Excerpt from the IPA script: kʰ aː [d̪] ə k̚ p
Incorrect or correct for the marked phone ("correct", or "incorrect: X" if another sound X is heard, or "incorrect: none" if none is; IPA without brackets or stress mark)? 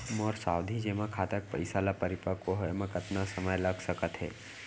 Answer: incorrect: t̪